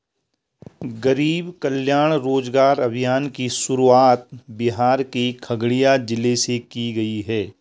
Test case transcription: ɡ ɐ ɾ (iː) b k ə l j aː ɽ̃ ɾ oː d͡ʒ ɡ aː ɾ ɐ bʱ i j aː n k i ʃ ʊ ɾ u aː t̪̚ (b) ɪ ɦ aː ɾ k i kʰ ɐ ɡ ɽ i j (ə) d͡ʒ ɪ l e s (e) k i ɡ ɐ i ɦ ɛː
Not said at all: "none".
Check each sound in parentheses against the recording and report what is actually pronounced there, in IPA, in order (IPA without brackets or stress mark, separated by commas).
iː, b, a, e